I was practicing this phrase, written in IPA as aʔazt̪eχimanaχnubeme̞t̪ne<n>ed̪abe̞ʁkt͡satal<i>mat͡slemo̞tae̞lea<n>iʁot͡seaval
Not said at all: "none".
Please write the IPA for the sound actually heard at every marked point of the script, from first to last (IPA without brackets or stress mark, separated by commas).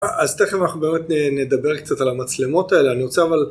n, a, n